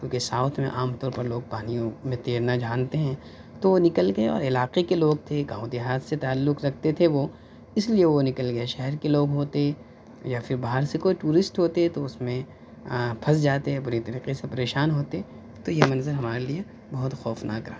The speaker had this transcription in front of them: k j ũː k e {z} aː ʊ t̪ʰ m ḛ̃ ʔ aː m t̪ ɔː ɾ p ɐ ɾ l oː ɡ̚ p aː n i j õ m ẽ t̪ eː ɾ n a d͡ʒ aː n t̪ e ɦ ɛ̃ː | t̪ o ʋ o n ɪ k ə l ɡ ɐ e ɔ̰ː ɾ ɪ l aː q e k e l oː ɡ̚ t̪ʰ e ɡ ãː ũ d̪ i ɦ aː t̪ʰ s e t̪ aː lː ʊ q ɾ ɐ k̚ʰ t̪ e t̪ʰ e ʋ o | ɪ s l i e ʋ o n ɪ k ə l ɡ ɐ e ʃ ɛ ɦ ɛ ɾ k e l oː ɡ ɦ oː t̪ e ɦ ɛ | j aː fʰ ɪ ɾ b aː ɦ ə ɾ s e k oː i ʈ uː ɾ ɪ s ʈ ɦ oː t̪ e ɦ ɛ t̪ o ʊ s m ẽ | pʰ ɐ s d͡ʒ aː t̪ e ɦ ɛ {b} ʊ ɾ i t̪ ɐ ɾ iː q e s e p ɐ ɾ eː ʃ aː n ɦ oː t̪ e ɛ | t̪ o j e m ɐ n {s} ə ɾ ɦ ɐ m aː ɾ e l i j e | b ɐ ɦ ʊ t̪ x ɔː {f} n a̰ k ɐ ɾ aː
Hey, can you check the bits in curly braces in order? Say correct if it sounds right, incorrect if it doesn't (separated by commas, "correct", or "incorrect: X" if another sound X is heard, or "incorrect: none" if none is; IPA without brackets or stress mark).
incorrect: s, correct, incorrect: z, correct